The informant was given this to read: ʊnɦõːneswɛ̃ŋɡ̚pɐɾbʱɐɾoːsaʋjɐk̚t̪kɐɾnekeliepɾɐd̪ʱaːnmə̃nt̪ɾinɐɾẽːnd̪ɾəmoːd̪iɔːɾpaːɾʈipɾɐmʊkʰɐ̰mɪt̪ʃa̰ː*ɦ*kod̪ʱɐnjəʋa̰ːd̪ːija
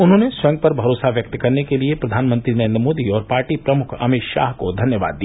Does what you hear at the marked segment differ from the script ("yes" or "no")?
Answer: no